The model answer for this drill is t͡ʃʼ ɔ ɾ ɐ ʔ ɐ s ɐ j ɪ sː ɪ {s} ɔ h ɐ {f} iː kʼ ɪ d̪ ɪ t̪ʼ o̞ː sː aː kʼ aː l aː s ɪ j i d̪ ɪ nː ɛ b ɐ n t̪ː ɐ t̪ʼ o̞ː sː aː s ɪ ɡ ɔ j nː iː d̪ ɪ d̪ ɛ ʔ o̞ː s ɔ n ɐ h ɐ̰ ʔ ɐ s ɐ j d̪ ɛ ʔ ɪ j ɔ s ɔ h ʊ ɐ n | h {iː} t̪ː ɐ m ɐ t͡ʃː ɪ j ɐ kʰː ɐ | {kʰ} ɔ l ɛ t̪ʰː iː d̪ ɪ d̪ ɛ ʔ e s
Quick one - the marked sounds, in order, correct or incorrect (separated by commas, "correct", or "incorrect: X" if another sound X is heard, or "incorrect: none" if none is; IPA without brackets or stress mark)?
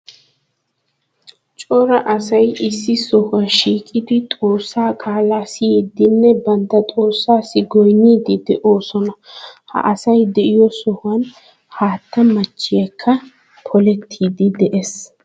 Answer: correct, incorrect: ʃ, incorrect: aː, incorrect: pʰ